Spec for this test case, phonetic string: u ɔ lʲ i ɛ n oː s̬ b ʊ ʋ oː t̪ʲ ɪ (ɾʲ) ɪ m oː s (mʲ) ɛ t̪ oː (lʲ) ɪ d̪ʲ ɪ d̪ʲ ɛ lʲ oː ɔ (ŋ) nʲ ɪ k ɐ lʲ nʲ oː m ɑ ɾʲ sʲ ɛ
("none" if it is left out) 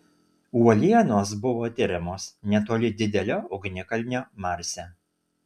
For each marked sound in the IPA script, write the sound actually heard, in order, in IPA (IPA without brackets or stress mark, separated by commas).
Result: ɾʲ, nʲ, lʲ, ɡ